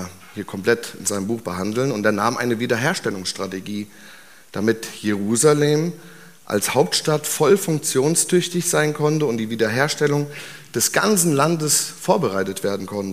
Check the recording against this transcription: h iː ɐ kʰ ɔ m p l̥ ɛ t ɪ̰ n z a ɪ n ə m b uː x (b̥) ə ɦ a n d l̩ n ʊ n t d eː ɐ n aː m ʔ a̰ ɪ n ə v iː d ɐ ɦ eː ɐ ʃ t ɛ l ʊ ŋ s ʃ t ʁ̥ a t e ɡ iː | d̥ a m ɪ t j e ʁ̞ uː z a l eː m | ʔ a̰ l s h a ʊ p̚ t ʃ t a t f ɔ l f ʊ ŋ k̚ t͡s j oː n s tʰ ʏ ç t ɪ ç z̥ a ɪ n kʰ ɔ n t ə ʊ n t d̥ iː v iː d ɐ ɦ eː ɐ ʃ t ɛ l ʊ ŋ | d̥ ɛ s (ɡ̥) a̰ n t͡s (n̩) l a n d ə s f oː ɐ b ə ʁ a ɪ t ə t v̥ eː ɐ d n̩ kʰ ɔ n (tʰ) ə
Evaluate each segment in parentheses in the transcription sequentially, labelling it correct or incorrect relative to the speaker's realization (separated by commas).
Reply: correct, correct, correct, incorrect